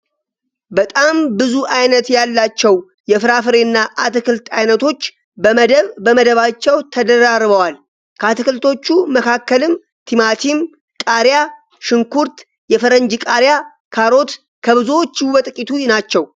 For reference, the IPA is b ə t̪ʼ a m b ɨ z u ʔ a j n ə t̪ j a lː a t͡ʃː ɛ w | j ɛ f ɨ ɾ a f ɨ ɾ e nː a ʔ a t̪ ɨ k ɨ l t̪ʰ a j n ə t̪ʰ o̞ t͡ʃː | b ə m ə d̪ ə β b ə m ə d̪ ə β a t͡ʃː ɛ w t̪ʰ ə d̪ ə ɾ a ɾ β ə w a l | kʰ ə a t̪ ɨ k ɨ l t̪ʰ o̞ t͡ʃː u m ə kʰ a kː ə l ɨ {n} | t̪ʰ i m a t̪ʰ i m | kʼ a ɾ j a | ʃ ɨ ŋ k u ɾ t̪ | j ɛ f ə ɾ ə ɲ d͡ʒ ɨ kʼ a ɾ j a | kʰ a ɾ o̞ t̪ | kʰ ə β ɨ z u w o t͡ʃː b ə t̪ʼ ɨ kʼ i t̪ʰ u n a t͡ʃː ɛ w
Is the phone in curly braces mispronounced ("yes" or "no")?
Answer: yes